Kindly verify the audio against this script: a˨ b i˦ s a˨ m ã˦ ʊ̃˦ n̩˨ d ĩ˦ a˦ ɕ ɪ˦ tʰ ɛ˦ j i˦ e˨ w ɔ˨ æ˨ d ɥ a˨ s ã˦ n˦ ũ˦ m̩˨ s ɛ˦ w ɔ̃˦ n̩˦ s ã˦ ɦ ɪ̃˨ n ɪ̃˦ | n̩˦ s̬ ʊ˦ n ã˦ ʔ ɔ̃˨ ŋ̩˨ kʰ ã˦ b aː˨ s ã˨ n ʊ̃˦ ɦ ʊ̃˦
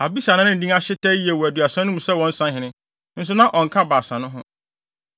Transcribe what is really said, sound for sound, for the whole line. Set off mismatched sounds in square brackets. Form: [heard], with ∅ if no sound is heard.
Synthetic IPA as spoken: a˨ b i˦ s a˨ [n] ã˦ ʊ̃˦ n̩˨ d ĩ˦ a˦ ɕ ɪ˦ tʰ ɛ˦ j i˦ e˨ w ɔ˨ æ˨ d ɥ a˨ s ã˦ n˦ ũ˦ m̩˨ s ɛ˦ w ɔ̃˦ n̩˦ s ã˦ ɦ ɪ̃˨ n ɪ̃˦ | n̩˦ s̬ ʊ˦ n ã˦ ʔ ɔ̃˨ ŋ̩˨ kʰ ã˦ b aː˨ s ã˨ n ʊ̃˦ ɦ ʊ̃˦